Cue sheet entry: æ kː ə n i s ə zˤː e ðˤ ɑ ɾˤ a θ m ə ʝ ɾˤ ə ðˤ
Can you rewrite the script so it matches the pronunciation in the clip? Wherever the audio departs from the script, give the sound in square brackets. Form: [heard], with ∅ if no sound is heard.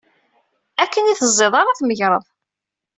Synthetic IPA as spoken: æ kː ə n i [θ] ə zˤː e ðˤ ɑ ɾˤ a θ m ə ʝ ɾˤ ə ðˤ